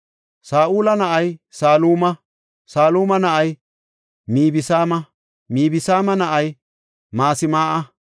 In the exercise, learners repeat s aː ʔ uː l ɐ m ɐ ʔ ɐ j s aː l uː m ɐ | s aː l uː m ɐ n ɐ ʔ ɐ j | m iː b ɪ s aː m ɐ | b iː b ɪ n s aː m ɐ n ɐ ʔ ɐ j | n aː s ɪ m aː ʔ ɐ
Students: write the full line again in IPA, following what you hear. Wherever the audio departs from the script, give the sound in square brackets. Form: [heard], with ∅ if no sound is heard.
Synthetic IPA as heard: s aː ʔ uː l ɐ [n] ɐ ʔ ɐ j s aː l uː m ɐ | s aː l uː m ɐ n ɐ ʔ ɐ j | m iː b ɪ s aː m ɐ | [m] iː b ɪ [∅] s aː m ɐ n ɐ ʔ ɐ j | [m] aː s ɪ m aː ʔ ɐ